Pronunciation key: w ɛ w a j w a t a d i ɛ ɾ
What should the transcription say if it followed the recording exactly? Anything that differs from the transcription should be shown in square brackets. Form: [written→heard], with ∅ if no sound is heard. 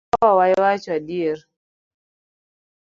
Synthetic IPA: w [ɛ→a] w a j w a [t→t͡ʃ] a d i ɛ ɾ

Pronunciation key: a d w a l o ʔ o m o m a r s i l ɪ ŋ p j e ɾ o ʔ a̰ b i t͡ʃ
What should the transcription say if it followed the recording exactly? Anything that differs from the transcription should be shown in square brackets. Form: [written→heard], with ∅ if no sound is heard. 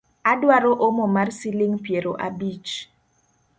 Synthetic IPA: a d w a [l→ɾ] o ʔ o m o m a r s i l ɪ ŋ p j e ɾ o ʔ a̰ b i t͡ʃ

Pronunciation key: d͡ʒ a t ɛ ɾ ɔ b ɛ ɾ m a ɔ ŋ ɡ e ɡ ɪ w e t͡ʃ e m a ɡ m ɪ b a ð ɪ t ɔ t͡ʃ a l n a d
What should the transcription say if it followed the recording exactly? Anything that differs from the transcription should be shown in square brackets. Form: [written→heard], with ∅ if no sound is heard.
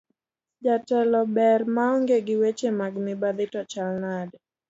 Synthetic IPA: d͡ʒ a t ɛ [ɾ→l] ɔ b ɛ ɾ m a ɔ ŋ ɡ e ɡ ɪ w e t͡ʃ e m a ɡ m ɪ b a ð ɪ t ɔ t͡ʃ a l n a d

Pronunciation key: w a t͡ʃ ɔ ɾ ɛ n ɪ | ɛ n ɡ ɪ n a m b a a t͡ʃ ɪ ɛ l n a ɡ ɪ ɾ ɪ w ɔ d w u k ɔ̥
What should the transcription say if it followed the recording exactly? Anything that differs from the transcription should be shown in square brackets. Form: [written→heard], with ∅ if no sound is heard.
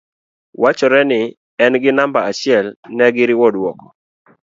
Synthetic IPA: w a t͡ʃ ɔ ɾ ɛ n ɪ | ɛ n ɡ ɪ n a m b a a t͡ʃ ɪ ɛ l n [a→ɛ] ɡ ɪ ɾ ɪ w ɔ d w [u→ɔ] k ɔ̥

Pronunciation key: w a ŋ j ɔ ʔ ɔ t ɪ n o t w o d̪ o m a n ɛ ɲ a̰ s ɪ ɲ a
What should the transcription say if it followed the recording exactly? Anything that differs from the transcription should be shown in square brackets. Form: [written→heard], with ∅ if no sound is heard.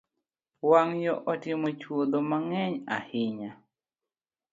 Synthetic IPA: w a ŋ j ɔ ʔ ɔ t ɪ [n→m] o [t→t͡ʃ] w o d̪ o m a [n→ŋ] ɛ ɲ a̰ [s→h] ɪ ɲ a

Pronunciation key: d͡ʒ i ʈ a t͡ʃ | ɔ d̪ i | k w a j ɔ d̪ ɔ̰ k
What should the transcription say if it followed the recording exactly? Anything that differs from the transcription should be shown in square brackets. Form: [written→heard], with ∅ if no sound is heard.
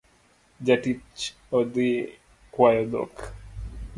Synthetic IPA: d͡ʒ [i→a] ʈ [a→i] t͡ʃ | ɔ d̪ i | k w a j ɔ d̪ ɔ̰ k

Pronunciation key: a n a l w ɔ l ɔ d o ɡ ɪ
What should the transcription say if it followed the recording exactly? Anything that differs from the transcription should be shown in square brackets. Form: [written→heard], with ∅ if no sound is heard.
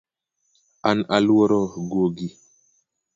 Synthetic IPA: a n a l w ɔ [l→ɾ] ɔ [d→ɡ] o ɡ [ɪ→i]

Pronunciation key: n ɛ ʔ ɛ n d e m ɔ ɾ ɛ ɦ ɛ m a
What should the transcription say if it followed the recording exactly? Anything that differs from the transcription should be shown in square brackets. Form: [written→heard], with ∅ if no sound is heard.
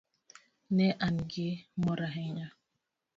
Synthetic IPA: n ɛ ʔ [ɛ→a] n [d→ɡ] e m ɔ ɾ [ɛ→a] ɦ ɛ [m→ɲ] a

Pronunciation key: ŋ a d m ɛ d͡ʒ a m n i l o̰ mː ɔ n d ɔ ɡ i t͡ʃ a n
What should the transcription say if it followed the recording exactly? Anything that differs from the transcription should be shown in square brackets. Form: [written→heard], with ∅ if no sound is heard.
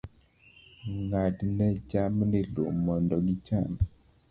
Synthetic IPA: ŋ a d [m→n] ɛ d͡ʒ a m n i l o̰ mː ɔ n d ɔ ɡ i t͡ʃ a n

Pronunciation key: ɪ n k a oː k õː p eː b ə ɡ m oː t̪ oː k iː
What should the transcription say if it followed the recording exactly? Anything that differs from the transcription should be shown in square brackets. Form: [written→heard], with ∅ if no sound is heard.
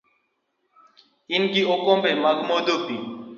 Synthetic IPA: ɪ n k [a→i] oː k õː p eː [b→m] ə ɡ m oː [t̪→d̪] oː [k→p] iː

